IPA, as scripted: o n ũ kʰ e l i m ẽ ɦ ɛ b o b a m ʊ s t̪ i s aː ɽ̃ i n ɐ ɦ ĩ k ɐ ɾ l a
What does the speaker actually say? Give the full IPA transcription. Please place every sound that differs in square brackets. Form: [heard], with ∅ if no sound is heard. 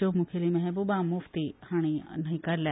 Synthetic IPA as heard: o [m] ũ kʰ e l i m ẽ ɦ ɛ b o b a m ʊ [f] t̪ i [h] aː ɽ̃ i n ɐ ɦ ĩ k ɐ ɾ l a